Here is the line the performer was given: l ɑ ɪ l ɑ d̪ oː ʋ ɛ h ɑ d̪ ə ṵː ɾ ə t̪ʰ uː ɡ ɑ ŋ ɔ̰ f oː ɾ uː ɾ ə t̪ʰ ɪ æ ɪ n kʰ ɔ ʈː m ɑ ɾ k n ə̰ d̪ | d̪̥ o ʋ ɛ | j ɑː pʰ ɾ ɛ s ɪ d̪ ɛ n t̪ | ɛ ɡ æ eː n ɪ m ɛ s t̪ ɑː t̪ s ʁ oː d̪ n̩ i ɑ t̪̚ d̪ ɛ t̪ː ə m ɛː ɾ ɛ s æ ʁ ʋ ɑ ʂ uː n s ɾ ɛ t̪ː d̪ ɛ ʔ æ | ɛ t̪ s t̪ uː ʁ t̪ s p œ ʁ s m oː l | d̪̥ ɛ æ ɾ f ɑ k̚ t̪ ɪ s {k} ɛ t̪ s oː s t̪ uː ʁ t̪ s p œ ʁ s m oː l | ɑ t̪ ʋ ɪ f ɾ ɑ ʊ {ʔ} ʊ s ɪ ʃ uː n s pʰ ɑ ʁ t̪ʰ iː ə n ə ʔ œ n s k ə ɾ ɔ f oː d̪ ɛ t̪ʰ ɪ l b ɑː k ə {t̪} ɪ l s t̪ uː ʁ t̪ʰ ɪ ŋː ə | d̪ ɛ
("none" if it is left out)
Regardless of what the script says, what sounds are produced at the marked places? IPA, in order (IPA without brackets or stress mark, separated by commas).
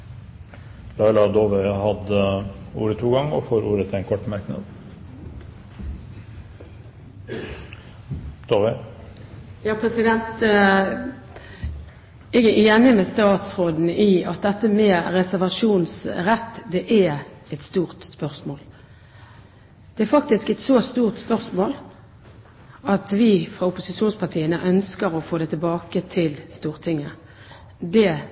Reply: k, p, t̪ʰ